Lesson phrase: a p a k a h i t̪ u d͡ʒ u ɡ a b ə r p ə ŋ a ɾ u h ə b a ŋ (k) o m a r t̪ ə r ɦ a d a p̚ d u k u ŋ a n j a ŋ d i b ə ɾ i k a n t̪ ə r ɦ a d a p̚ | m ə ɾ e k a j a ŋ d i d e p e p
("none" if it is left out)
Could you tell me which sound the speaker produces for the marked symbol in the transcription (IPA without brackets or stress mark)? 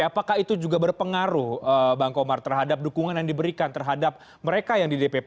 k